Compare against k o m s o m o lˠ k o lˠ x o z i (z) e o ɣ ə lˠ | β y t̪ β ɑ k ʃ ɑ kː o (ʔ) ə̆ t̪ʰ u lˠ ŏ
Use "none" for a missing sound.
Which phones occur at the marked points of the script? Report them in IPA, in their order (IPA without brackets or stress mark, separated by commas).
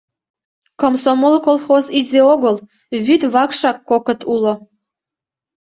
z, k